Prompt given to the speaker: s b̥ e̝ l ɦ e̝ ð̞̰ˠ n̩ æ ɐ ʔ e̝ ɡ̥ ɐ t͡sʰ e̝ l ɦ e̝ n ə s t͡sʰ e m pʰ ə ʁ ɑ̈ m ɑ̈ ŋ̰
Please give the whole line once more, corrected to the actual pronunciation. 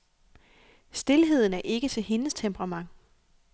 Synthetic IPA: s d̥ e̝ l ɦ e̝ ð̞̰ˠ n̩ æ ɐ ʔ e̝ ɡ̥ ə t͡sʰ e̝ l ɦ e̝ n ə s t͡sʰ e m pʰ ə ʁ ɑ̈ m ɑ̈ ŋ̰